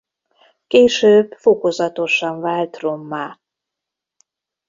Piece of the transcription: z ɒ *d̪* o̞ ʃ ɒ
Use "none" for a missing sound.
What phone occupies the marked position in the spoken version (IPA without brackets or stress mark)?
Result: t̪